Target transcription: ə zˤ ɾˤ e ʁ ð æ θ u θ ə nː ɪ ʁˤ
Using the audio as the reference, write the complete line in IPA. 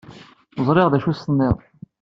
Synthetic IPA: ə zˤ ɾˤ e ʁ ð æ ʃ u s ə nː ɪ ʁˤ